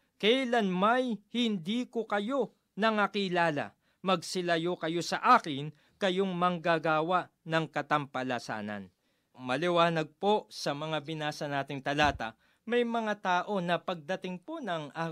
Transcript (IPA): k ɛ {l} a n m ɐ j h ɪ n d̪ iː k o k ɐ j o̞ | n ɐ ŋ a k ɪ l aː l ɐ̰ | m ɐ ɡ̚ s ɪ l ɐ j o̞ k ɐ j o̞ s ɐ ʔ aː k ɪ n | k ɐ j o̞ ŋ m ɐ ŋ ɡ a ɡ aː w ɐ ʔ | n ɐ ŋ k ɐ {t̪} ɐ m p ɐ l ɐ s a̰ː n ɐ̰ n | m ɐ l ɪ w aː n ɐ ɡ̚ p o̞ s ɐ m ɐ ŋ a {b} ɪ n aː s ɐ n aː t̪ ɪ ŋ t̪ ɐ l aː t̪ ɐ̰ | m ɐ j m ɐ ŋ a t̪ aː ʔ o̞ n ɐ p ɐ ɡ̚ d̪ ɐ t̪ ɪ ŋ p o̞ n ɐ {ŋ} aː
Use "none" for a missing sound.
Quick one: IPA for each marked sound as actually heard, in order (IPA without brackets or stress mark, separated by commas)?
l, t̪, b, ŋ